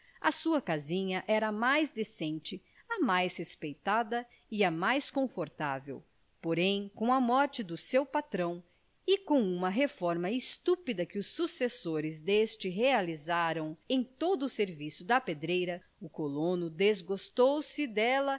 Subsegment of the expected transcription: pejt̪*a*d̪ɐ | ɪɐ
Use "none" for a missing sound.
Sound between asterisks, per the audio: a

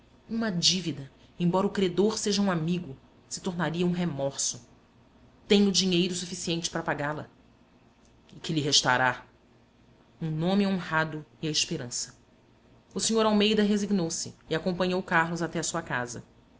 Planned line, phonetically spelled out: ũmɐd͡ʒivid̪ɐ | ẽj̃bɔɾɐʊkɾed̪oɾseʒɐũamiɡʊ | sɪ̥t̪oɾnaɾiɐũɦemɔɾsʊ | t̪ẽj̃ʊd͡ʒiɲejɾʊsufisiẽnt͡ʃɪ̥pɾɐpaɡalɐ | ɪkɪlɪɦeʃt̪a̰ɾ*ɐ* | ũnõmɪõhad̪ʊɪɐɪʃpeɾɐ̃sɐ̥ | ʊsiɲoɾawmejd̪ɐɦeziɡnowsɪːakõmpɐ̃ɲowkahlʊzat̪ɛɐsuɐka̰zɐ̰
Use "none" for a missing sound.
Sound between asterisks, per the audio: a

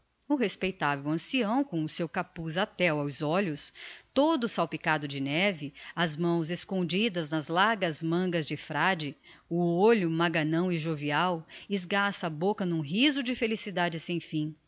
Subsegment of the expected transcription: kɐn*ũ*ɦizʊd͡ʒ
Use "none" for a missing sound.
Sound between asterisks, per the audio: ũ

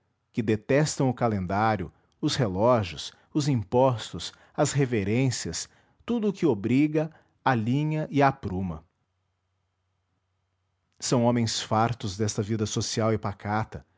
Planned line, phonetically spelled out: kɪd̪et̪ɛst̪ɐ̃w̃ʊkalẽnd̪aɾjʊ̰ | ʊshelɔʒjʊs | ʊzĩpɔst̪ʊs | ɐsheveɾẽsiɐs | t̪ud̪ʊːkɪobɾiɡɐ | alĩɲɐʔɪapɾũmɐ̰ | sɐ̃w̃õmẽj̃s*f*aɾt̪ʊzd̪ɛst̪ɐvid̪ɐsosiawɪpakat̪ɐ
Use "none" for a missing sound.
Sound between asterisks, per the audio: f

